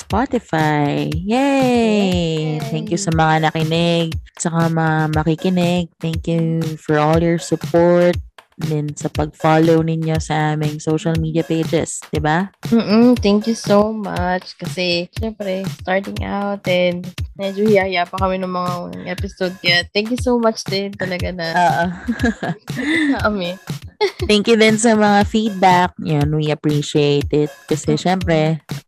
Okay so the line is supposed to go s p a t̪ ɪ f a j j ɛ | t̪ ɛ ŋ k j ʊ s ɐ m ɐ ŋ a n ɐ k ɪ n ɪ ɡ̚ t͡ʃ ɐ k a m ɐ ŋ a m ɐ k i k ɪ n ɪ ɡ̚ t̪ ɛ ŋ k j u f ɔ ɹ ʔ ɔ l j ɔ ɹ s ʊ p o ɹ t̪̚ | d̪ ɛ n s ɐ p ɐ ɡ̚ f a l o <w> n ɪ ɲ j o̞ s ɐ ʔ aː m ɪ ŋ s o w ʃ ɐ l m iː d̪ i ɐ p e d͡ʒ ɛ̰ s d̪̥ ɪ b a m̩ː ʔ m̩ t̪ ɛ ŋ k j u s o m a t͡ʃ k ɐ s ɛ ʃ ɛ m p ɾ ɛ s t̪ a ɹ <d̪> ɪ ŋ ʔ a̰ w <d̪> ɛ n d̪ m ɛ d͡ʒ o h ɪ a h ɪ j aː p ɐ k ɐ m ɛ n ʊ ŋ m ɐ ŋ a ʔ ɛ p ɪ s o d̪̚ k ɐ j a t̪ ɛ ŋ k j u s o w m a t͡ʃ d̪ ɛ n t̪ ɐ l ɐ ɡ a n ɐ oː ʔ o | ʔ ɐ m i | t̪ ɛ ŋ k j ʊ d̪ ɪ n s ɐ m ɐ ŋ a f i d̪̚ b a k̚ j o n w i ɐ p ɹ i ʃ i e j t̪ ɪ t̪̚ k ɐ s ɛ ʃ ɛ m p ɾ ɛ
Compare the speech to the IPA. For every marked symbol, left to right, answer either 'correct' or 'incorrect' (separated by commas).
correct, incorrect, incorrect